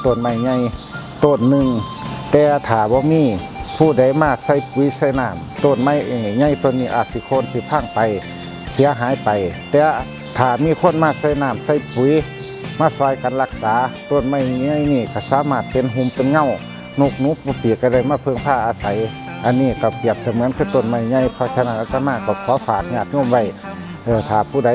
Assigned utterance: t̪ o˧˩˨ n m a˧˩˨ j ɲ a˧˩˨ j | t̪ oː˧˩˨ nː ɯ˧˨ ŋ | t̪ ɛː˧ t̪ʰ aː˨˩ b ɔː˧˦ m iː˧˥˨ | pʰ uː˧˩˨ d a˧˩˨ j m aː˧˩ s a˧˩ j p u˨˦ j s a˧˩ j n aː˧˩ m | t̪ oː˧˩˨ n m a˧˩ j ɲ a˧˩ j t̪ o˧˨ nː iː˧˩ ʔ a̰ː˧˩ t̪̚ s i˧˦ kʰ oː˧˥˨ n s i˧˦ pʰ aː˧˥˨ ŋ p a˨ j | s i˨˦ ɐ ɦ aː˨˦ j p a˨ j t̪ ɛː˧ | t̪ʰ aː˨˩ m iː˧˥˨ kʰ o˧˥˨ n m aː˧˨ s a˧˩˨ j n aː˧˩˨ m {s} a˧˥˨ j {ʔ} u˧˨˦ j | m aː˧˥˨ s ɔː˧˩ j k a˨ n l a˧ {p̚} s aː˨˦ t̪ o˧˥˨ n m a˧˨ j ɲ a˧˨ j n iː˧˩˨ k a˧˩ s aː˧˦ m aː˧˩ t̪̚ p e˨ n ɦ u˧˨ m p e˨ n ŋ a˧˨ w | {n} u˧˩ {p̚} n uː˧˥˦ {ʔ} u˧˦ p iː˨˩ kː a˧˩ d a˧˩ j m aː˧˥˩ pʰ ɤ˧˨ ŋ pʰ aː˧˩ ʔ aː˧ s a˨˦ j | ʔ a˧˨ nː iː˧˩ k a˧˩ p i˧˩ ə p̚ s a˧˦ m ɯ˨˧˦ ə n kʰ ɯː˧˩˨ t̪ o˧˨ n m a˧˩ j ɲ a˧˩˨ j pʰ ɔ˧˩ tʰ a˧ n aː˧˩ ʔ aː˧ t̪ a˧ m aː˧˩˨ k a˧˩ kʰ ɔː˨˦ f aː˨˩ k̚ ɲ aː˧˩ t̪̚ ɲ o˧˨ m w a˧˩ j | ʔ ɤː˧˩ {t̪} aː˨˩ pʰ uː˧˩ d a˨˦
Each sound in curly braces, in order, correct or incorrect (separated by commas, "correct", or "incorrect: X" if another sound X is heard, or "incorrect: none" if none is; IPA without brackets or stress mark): correct, incorrect: p, incorrect: k̚, correct, incorrect: k̚, incorrect: p, incorrect: t̪ʰ